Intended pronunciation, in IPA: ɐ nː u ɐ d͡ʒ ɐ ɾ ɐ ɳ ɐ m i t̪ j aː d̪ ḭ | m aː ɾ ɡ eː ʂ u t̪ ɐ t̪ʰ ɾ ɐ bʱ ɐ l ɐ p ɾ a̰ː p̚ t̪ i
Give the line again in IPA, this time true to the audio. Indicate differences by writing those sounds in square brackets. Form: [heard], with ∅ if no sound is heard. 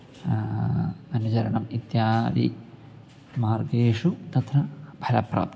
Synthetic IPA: ɐ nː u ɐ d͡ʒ ɐ ɾ ɐ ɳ ɐ m i t̪ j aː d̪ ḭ | m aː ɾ ɡ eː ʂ u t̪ ɐ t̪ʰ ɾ ɐ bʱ ɐ l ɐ p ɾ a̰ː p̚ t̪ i